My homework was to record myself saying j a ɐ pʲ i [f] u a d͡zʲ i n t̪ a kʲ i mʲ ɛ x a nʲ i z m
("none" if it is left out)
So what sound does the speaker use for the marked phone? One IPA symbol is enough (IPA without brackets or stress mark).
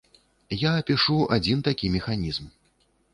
ʂ